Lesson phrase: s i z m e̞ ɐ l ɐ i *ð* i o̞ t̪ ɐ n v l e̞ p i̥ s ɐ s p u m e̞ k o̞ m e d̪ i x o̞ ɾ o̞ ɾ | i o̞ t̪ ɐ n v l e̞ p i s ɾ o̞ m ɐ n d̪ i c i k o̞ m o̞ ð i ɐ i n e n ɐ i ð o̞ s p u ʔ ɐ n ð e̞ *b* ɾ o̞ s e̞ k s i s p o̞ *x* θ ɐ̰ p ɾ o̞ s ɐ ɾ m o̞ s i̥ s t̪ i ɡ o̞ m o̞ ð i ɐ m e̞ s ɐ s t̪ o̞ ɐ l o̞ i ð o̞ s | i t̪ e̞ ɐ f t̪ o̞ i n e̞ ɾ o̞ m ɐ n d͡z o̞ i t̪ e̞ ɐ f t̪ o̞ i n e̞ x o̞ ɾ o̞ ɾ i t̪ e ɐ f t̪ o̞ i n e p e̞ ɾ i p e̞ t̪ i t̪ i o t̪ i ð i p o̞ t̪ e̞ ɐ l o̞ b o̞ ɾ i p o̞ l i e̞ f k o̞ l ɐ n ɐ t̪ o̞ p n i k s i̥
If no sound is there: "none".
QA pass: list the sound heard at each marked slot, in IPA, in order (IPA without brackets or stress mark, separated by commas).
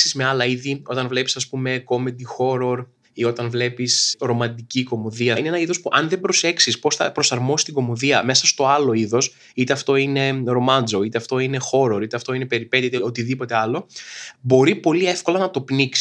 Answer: ð, b, s